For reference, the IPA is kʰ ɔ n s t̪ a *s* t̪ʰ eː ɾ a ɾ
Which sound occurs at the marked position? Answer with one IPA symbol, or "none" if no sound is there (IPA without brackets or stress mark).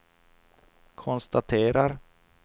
none